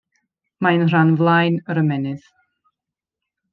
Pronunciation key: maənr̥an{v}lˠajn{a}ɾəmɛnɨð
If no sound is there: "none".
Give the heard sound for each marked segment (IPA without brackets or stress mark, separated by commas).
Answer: v, ə